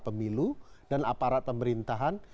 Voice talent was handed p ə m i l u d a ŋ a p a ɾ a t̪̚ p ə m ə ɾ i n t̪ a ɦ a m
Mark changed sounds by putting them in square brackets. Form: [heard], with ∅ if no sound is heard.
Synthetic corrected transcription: p ə m i l u d a [n] a p a ɾ a t̪̚ p ə m ə ɾ i n t̪ a ɦ a [n]